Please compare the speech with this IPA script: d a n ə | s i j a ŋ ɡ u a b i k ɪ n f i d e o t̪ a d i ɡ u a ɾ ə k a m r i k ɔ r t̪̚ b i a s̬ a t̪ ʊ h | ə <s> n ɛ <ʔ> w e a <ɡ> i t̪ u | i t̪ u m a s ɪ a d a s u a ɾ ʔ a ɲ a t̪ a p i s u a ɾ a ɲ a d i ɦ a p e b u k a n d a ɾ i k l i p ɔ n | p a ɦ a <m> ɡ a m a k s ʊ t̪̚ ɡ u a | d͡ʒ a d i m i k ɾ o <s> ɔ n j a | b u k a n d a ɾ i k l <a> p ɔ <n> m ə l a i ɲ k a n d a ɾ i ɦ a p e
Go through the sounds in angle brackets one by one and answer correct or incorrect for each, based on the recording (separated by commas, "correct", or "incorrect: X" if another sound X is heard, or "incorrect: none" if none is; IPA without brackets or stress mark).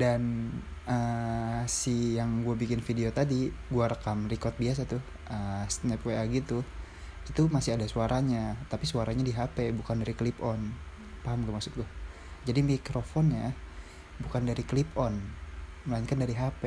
correct, incorrect: p, correct, correct, incorrect: f, incorrect: i, correct